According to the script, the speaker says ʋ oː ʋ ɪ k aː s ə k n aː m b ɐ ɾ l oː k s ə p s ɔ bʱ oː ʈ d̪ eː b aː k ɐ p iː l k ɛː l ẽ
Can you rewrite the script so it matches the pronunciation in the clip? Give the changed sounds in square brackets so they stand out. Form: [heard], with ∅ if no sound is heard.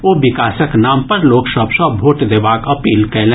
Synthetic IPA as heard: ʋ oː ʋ ɪ k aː s ə k n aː m [p] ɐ ɾ l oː k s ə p s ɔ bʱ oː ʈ d̪ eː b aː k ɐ p iː l k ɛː l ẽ